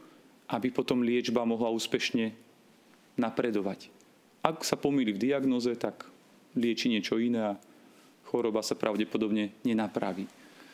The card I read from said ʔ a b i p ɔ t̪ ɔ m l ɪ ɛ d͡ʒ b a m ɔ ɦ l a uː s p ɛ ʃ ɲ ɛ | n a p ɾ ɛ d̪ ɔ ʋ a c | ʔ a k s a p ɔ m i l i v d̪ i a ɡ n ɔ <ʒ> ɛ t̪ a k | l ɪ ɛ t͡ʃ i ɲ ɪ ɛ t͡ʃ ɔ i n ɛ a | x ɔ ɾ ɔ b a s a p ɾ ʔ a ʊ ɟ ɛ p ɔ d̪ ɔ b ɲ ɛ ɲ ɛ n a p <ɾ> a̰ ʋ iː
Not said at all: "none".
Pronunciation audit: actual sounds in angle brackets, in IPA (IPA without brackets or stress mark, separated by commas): z, ɾ